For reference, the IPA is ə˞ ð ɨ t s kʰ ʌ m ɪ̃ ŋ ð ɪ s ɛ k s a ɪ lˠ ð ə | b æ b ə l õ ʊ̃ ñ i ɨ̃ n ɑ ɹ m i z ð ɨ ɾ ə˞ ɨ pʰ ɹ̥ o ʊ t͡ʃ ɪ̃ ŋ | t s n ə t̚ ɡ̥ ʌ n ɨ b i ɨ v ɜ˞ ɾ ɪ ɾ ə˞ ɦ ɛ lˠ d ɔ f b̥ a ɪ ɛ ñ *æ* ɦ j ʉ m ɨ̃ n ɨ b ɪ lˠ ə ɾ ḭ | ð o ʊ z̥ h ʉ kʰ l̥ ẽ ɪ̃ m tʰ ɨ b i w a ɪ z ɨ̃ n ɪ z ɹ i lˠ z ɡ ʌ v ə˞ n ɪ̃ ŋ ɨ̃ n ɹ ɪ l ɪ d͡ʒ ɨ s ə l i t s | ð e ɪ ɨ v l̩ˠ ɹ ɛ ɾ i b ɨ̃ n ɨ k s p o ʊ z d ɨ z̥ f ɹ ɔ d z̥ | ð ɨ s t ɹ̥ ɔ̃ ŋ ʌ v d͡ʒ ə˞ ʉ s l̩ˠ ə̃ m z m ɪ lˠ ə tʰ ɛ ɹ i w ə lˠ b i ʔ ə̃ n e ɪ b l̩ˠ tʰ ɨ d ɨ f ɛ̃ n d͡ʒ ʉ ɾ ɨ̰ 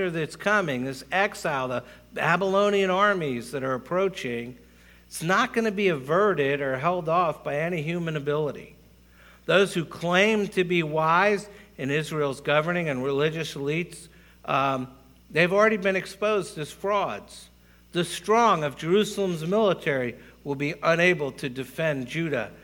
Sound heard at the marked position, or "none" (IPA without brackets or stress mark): i